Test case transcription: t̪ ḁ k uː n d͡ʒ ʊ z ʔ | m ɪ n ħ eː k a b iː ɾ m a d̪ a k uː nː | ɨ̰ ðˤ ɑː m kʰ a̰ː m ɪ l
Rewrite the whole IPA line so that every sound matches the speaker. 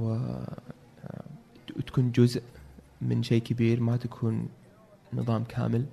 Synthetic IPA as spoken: t̪ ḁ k uː n d͡ʒ ʊ z ʔ | m ɪ n ʃ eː k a b iː ɾ m a t̪ a kʰ uː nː | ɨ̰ ðˤ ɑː m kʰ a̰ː m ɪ l